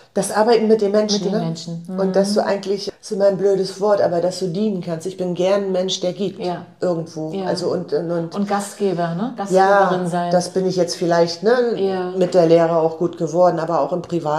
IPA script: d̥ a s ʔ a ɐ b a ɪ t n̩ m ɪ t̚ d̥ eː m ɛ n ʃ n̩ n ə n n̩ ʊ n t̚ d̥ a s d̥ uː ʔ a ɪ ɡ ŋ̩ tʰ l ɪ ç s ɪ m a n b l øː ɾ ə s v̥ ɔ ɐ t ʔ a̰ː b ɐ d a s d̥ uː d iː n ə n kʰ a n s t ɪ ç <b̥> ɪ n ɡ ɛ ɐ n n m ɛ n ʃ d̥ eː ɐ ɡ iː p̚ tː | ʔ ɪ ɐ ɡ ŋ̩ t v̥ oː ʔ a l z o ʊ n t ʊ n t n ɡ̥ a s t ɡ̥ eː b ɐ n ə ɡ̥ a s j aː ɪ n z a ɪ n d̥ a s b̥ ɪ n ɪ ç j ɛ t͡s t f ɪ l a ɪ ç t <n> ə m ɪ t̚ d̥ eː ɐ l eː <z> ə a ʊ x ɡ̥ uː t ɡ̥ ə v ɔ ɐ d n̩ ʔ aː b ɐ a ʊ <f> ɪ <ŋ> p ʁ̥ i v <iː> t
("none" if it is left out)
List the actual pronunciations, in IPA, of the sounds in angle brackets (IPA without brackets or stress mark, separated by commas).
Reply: b̥, n, ʁ, x, m, aː